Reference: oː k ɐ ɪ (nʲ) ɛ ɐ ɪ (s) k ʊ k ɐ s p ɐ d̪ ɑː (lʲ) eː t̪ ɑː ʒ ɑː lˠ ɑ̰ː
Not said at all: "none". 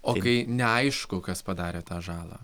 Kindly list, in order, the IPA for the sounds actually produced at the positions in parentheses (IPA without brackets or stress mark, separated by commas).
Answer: nʲ, ʃ, ɾʲ